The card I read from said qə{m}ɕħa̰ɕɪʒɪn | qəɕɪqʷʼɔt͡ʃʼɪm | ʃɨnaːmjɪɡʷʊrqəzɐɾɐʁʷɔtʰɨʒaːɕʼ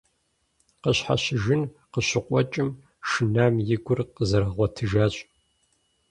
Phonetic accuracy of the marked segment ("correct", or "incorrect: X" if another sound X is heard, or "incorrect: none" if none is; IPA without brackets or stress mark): incorrect: none